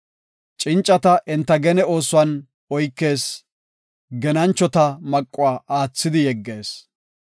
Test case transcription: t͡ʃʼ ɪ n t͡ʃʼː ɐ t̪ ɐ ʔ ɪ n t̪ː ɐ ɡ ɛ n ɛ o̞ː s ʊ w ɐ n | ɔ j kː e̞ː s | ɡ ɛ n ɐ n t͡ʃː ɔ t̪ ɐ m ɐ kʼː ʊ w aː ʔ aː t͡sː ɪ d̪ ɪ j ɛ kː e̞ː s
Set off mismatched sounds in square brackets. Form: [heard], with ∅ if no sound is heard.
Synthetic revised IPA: t͡ʃʼ ɪ n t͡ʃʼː ɐ t̪ ɐ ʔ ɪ n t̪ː ɐ ɡ ɛ n ɛ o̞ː s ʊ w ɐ n | ɔ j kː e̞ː s | ɡ ɛ n ɐ n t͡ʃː ɔ t̪ ɐ m ɐ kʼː ʊ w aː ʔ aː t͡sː ɪ d̪ ɪ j ɛ [ɡː] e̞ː s